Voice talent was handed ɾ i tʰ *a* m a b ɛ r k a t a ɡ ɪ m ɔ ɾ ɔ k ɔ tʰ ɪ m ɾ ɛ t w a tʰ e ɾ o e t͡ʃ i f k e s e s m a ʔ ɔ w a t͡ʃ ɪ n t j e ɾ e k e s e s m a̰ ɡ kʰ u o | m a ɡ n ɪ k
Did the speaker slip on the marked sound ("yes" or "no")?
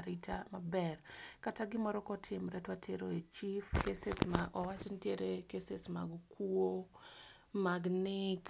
no